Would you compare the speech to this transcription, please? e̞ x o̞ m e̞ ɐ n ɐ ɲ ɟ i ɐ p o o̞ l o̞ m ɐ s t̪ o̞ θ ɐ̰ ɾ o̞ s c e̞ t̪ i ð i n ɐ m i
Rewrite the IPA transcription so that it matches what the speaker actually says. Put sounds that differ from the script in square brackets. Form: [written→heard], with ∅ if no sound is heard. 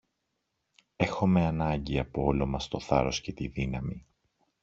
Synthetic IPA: e̞ x o̞ m e̞ ɐ n ɐ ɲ ɟ i ɐ p o o̞ l o̞ m ɐ s t̪ o̞ θ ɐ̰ ɾ o̞ s c e̞ t̪ i ð i n ɐ m i